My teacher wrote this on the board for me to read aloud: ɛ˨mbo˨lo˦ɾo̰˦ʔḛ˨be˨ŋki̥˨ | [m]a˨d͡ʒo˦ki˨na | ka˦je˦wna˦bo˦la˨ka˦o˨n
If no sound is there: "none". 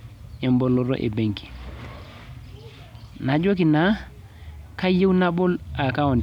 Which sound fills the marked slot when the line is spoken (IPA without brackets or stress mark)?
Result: n